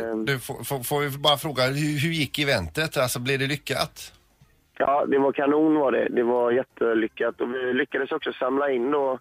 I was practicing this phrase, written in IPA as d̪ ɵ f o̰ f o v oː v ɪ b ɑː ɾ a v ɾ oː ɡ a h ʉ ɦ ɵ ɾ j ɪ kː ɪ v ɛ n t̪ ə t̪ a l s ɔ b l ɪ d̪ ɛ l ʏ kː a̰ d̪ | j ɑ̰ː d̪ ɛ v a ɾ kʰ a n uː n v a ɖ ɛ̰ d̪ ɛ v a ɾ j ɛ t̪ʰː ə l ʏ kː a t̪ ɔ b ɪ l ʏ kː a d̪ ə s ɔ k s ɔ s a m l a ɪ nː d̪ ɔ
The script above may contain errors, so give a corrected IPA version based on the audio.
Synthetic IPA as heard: d̪ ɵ f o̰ f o f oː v ɪ b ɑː ɾ a f ɾ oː ɡ a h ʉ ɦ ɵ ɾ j ɪ kː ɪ v ɛ n t̪ ə t̪ a l s ɔ b l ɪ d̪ ɛ l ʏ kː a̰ t̪ | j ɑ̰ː d̪ ɛ v a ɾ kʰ a n uː n v a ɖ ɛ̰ d̪ ɛ v a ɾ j ɛ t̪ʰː ə l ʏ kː a t̪ ɔ v ɪ l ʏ kː a d̪ ə s ɔ k s ɔ s a m l a ɪ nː d̪ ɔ